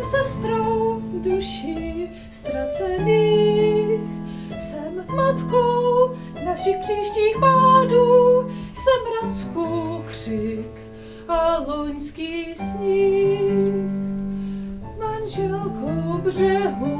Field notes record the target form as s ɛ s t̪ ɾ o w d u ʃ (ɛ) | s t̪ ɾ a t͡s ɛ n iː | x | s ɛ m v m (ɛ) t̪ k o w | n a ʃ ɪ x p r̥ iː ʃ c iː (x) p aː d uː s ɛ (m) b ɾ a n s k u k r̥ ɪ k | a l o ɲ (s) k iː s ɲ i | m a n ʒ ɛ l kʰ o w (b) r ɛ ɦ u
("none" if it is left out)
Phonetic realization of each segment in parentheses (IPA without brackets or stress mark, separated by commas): i, a, x, m, s, b